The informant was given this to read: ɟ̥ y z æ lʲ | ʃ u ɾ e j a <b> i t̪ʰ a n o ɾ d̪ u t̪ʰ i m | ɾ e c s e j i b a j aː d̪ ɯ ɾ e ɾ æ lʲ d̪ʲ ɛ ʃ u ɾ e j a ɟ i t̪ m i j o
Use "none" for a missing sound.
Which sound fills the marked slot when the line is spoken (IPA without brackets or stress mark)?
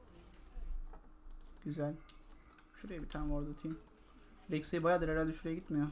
b